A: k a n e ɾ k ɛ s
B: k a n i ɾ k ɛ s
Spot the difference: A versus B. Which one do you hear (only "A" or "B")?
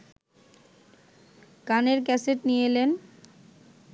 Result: A